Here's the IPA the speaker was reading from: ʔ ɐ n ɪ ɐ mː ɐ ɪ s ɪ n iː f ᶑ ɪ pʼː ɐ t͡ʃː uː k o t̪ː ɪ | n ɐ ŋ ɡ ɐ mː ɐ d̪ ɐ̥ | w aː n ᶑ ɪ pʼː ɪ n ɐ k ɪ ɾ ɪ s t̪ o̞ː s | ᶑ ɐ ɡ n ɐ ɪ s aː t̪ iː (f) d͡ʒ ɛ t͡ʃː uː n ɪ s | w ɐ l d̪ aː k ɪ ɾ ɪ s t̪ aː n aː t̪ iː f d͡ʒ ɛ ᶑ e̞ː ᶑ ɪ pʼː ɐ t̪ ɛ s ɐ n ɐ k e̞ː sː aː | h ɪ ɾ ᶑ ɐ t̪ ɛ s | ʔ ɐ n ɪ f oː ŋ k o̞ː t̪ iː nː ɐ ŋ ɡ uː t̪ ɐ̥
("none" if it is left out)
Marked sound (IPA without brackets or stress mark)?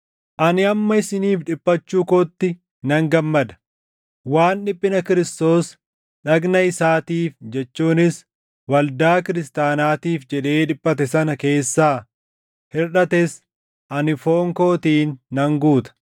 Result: f